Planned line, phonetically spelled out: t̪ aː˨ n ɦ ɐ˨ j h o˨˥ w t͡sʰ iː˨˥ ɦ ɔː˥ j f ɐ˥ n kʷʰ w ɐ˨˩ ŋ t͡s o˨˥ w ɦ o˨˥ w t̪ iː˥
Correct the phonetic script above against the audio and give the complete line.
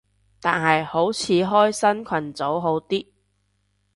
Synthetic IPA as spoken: t̪ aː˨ n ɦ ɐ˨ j h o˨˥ w t͡sʰ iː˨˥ ɦ ɔː˥ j s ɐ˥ n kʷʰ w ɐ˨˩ n t͡s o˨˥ w ɦ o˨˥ w t̪ iː˥